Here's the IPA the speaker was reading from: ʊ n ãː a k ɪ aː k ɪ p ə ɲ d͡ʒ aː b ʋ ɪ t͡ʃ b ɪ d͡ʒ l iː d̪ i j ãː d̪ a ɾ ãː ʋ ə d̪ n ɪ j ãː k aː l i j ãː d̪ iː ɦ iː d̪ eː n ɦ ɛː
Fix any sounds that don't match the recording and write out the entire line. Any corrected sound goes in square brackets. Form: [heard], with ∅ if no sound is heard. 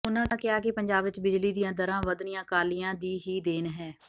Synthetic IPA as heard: ʊ n ãː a k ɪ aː k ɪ p ə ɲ d͡ʒ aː b ʋ ɪ t͡ʃ b ɪ d͡ʒ l iː d̪ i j ãː d̪ [ə] ɾ ãː ʋ ə d̪ n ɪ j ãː k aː l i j ãː d̪ iː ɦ iː d̪ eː n ɦ ɛː